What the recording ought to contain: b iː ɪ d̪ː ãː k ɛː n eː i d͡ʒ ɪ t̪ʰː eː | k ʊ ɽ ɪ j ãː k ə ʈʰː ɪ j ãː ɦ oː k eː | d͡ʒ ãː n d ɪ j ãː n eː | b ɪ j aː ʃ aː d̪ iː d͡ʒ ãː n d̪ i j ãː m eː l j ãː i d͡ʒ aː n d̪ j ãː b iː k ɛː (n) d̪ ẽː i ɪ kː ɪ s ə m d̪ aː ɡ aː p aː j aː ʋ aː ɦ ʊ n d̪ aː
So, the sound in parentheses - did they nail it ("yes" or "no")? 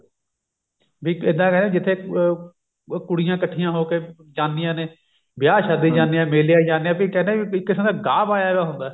yes